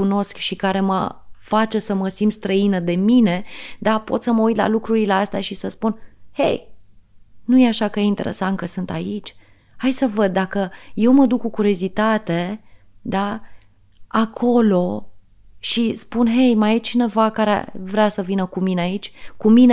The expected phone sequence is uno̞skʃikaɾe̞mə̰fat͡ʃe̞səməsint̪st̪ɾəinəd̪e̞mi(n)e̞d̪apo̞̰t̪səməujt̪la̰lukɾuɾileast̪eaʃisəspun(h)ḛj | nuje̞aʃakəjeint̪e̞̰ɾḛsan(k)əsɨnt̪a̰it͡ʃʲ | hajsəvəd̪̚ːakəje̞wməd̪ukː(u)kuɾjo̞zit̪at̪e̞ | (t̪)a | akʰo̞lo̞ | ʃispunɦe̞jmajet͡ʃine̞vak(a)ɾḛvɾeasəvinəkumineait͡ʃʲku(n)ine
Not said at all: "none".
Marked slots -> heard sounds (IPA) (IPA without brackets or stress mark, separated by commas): n, h, k, u, d̪, a, m